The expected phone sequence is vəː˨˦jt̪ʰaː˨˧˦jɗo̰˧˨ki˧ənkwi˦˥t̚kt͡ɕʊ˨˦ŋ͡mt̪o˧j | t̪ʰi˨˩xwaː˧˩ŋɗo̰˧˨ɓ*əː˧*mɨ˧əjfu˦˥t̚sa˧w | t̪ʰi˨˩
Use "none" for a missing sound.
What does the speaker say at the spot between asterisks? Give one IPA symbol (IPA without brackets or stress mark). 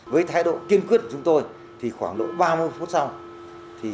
aː˧